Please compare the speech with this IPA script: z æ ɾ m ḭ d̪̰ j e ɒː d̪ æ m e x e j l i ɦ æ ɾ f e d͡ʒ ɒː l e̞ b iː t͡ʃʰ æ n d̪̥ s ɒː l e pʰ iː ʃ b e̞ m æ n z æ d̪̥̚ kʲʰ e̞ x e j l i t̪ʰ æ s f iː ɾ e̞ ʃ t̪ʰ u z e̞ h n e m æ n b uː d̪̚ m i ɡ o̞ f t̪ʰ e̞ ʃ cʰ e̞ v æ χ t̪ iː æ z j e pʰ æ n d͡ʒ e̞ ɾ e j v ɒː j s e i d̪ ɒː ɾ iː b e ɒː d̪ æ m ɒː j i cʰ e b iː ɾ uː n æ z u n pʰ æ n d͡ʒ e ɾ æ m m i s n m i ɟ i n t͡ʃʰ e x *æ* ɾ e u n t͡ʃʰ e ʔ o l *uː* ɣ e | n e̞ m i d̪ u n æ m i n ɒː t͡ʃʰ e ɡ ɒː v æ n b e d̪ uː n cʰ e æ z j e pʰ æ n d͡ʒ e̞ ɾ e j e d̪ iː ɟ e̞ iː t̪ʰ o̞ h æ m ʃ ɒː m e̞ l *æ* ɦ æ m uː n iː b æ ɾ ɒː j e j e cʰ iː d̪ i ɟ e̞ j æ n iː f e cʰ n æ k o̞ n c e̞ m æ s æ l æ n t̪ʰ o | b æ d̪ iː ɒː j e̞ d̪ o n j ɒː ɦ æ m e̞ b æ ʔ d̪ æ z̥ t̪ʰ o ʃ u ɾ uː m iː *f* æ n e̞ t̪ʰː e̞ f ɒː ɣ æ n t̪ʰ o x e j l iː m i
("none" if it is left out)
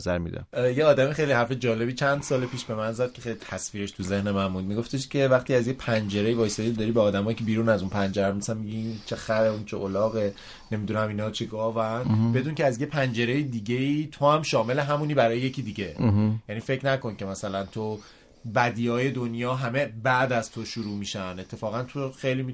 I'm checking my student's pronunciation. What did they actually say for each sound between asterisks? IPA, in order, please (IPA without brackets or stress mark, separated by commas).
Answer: æ, ɒː, e, ʃ